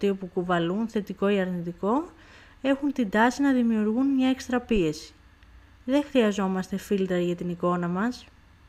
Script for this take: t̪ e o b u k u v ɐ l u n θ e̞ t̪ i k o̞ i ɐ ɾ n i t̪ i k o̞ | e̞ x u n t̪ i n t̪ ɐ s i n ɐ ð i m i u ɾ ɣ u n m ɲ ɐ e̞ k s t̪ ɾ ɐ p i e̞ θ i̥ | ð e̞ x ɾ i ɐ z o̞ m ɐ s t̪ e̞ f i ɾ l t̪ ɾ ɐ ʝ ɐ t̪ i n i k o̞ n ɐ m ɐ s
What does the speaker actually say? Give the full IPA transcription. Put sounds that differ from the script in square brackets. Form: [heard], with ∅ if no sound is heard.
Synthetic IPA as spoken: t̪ [i] o [p] u k u v ɐ l u n θ e̞ t̪ i k o̞ i ɐ ɾ n i t̪ i k o̞ | e̞ x u n t̪ i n [d̪] ɐ s i n ɐ ð i m i u ɾ ɣ u n m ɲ ɐ e̞ k s t̪ ɾ ɐ p i e̞ [s] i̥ | ð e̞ x ɾ i ɐ z o̞ m ɐ s t̪ e̞ f i [∅] l t̪ ɾ ɐ ʝ ɐ t̪ i n i k o̞ n ɐ m ɐ s